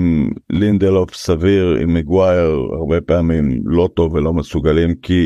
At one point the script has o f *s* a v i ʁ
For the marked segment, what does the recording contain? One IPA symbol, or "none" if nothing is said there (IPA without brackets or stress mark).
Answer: s